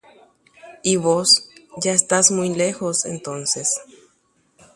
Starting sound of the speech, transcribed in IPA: i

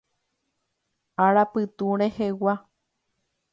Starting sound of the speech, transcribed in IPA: a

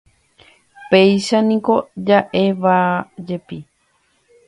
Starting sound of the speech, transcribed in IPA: p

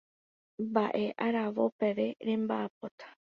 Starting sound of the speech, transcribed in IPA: b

